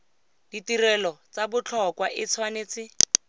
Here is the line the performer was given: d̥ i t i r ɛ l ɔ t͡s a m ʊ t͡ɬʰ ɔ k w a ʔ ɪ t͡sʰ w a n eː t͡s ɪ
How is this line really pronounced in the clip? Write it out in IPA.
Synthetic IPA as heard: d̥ i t i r ɛ l ɔ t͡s a b ʊ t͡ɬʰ ɔ k w a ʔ ɪ t͡sʰ w a n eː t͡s ɪ